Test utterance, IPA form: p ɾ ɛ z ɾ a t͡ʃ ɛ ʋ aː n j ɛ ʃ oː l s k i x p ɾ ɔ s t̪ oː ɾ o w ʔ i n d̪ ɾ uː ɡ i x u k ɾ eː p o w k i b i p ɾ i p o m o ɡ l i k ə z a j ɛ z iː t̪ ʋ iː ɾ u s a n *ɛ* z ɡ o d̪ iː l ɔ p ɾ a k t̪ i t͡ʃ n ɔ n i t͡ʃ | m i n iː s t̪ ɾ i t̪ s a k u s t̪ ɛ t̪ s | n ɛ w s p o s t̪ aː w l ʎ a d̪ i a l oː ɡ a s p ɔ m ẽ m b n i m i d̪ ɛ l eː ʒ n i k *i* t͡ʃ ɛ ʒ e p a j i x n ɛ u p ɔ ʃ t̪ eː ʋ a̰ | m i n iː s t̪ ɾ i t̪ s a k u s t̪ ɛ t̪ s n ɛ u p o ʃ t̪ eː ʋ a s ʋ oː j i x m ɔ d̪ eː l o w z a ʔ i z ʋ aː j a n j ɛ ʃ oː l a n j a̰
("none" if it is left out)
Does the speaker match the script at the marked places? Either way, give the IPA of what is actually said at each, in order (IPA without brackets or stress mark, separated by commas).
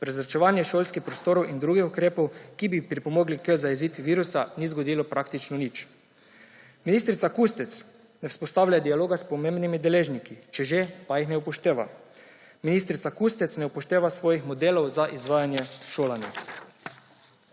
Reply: i, i